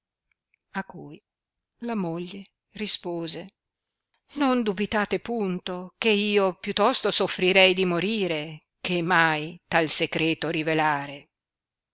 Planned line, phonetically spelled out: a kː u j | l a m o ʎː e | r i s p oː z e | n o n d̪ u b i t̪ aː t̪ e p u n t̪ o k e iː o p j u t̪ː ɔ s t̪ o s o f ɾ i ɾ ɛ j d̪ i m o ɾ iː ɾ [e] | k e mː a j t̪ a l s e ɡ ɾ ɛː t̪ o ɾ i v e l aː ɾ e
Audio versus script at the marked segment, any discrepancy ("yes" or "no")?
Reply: no